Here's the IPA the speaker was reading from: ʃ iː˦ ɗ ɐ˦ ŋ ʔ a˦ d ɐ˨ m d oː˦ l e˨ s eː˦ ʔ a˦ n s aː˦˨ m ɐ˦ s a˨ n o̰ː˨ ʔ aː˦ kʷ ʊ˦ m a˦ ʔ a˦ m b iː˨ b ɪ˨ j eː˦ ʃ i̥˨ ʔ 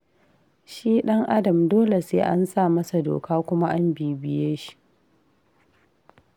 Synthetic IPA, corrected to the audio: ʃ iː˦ ɗ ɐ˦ ŋ ʔ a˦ d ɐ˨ m d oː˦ l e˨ s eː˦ ʔ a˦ n s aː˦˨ m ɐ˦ s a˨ d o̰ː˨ k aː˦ kʷ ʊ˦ m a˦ ʔ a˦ m b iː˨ b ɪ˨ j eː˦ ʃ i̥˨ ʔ